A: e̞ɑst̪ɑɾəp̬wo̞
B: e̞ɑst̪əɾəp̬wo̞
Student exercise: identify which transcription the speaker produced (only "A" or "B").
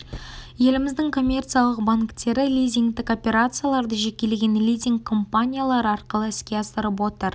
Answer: B